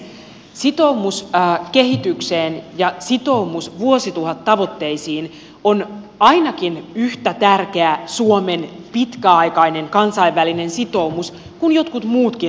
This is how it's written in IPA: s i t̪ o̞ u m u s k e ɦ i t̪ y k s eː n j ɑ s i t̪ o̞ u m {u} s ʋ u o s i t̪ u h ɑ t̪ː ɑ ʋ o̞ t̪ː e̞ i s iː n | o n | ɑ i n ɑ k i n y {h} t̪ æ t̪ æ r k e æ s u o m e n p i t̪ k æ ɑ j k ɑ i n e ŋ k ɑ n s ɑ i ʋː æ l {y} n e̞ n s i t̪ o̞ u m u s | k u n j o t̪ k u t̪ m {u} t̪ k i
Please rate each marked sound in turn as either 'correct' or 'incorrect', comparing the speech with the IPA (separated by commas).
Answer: correct, correct, incorrect, incorrect